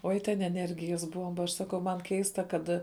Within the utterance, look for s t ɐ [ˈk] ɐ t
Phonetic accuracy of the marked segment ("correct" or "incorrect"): correct